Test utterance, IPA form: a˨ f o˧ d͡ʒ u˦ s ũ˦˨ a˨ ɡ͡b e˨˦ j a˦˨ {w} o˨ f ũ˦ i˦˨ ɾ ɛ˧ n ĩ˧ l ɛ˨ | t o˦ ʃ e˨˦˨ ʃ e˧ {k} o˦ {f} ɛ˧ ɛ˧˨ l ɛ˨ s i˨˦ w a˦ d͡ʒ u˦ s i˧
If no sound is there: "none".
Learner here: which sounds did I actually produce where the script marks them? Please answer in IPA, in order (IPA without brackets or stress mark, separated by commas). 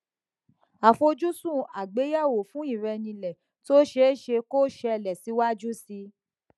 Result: w, k, ʃ